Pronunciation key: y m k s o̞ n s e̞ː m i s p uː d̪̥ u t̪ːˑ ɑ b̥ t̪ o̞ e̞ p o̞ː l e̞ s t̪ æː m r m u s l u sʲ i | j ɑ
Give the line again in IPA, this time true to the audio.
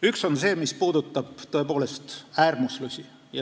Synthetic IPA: y k s o̞ n s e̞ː m i s p uː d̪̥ u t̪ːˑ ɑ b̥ t̪ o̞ e̞ p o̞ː l e̞ s t̪ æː r m u s l u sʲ i | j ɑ